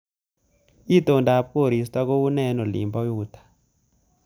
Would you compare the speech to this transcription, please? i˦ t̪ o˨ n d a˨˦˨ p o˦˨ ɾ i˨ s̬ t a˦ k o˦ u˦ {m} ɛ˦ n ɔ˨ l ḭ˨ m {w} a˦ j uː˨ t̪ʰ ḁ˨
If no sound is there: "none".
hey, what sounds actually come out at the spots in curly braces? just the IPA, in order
n, b

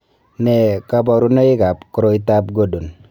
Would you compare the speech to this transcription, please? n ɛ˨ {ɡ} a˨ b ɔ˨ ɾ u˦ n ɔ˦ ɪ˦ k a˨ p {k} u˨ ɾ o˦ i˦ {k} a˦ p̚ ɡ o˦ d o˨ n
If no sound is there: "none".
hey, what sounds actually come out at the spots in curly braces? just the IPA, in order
k, k, t

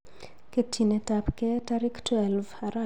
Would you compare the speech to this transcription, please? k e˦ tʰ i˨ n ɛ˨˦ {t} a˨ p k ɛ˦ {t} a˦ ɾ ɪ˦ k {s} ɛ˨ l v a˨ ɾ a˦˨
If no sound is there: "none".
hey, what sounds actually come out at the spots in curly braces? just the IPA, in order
t, t, t

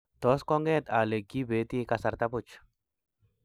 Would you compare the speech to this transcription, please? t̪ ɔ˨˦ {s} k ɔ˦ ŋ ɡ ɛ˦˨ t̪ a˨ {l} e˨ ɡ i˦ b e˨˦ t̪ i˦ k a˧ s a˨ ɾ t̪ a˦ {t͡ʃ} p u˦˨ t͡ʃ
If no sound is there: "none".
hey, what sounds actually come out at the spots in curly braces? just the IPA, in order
s, l, none

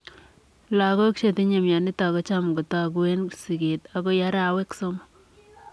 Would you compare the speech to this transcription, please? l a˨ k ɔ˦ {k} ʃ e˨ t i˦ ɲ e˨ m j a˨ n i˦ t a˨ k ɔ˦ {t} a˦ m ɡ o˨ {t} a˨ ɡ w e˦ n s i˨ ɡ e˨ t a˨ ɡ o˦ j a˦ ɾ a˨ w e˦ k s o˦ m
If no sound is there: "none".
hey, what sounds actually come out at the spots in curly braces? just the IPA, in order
k, t͡ʃ, t

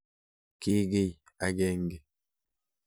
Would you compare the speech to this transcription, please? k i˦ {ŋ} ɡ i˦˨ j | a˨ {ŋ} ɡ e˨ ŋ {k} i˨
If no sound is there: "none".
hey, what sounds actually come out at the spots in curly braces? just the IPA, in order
none, none, ɡ

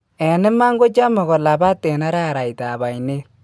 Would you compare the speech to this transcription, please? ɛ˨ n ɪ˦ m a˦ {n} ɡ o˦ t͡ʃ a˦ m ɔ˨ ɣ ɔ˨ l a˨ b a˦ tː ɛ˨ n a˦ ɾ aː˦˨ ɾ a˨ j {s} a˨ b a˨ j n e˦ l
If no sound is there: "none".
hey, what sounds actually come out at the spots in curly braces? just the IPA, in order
ŋ, t

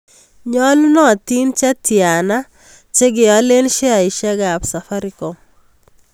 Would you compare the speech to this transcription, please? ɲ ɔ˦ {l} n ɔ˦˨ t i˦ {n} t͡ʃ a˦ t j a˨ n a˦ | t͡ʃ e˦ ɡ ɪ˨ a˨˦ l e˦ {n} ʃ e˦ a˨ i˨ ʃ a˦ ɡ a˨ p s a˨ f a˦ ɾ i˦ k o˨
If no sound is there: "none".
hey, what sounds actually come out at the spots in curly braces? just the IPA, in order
l, n, n

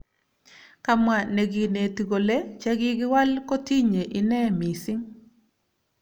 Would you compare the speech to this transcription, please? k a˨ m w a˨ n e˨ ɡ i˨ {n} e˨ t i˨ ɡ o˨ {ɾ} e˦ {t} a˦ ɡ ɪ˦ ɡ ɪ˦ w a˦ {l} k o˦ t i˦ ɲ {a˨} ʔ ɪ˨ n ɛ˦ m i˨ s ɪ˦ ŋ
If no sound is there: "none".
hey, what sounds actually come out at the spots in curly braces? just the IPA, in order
n, l, t͡ʃ, l, e˨

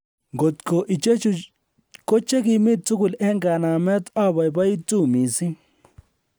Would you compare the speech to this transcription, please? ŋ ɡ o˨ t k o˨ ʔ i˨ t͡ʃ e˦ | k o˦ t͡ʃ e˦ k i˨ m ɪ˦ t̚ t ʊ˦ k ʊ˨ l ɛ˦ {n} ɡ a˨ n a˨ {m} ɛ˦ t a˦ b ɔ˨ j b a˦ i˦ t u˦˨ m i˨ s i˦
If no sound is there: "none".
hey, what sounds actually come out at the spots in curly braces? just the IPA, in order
ŋ, m

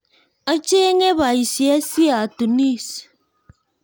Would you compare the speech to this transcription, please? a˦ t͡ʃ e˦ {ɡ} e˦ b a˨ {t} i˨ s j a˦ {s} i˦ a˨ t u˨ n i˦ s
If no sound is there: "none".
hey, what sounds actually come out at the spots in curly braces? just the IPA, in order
ŋ, none, s

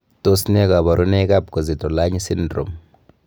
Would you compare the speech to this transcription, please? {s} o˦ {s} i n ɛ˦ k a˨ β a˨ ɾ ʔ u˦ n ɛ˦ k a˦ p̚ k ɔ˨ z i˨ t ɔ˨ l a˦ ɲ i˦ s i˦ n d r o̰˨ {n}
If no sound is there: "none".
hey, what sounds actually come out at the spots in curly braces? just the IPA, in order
t, s, m

